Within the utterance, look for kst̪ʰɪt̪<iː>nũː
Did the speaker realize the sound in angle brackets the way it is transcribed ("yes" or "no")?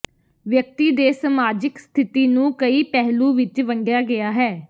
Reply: yes